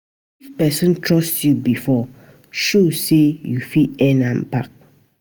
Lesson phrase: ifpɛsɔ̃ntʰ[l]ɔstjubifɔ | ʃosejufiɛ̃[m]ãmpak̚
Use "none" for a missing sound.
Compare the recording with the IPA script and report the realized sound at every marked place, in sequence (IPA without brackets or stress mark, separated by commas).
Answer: ɹ, n